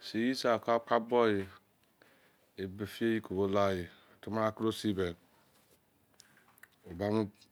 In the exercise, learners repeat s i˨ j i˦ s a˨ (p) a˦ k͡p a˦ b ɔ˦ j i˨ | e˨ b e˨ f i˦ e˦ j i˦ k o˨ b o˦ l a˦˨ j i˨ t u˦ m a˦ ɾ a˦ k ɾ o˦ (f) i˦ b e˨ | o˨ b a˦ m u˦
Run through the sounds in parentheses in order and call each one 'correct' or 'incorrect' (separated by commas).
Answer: incorrect, incorrect